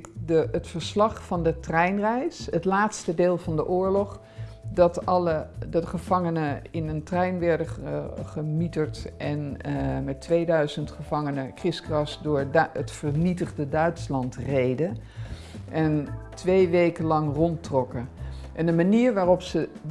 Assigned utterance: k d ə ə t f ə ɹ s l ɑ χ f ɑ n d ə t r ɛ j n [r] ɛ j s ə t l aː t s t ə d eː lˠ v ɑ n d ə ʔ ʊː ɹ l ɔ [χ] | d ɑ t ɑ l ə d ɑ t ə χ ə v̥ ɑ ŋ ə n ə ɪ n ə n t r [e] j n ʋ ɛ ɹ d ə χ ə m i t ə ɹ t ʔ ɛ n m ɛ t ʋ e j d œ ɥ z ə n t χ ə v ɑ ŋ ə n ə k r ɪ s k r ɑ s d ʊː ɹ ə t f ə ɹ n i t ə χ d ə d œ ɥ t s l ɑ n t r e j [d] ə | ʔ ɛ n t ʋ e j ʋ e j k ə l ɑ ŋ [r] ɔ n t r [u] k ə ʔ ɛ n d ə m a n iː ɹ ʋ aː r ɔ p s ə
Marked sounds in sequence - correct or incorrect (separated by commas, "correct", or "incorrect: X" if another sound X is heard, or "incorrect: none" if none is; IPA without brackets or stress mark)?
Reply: correct, correct, incorrect: ɛ, correct, correct, incorrect: ɔ